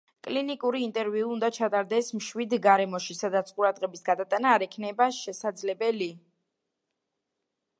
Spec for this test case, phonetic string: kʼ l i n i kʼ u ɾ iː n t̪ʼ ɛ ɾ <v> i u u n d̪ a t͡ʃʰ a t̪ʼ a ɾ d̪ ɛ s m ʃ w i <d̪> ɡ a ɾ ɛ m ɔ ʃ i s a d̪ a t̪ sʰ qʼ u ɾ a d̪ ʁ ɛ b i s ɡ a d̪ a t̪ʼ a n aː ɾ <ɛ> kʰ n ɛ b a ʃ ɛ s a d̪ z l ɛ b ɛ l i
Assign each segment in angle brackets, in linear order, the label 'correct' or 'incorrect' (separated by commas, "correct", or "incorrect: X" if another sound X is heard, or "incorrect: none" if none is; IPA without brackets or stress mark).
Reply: correct, correct, correct